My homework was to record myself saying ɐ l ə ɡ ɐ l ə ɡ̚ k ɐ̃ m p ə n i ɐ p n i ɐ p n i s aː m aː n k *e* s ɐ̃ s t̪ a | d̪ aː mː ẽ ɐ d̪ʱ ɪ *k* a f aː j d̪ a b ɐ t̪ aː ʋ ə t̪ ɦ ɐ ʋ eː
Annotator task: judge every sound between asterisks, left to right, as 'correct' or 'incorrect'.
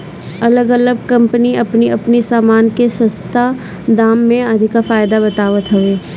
correct, correct

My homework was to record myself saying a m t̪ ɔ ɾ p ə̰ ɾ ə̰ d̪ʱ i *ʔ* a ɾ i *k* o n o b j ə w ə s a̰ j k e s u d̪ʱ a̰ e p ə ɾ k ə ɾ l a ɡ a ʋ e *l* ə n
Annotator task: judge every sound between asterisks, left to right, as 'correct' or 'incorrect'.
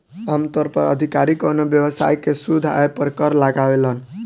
incorrect: k, correct, correct

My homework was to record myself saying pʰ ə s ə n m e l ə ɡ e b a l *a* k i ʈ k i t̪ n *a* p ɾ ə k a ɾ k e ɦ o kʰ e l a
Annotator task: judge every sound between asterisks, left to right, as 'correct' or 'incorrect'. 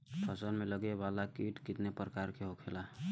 correct, incorrect: e

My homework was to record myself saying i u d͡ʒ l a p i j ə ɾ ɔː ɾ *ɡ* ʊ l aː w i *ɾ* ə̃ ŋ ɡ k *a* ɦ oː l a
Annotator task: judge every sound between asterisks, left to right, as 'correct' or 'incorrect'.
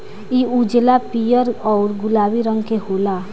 correct, correct, incorrect: e

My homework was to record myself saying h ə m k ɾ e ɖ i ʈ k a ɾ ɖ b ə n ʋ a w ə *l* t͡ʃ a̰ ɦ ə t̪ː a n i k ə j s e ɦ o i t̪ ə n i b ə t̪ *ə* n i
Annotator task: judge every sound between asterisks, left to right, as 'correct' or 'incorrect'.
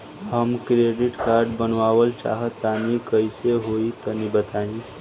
correct, incorrect: a

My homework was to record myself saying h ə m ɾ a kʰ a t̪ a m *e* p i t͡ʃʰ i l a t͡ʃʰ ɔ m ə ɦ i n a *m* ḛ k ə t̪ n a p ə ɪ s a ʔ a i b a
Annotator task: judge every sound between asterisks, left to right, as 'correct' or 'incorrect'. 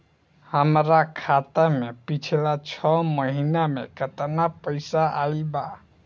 correct, correct

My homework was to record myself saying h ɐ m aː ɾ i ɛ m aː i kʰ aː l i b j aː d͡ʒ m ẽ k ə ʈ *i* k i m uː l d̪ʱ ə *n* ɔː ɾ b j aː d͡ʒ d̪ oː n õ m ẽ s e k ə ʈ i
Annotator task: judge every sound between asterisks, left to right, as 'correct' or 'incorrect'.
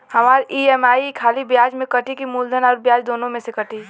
correct, correct

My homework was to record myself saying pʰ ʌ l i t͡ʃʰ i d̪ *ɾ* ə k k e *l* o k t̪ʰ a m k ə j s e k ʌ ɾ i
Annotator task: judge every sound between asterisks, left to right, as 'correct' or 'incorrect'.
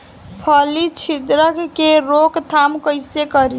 correct, incorrect: ɾ

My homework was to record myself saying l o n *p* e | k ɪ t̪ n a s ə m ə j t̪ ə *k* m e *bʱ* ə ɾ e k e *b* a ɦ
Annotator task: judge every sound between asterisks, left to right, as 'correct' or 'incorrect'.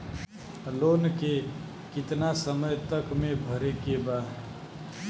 incorrect: k, correct, correct, correct

